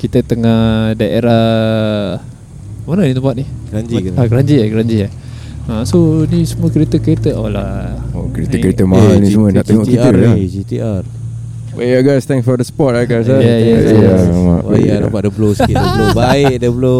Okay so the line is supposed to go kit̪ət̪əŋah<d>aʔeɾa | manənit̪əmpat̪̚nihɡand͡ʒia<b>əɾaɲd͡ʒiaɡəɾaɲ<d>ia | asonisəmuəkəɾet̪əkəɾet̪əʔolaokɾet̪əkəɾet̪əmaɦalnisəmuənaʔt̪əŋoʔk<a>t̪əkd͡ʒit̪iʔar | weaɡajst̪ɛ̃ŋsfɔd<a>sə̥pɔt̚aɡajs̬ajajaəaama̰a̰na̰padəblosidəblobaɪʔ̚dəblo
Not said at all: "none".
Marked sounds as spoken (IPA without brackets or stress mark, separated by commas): d, ɡ, d͡ʒ, i, ə